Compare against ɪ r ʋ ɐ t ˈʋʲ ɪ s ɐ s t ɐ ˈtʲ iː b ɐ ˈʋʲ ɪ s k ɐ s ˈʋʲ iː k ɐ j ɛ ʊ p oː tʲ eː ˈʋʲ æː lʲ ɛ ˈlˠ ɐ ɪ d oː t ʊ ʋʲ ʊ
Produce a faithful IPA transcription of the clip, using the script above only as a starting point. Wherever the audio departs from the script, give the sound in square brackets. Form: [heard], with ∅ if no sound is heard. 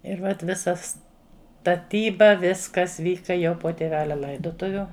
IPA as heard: ɪ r ʋ ɐ t ˈʋʲ ɪ s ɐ s t ɐ ˈtʲ iː b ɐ ˈʋʲ ɪ s k ɐ s ˈʋʲ iː k ɐ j ɛ ʊ p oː tʲ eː ˈʋʲ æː lʲ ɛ ˈlˠ ɐ ɪ d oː t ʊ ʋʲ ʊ